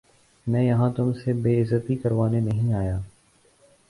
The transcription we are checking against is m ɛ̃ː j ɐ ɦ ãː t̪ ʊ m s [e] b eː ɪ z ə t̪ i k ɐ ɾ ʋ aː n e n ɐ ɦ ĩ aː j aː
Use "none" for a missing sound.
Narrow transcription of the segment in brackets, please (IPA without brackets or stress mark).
e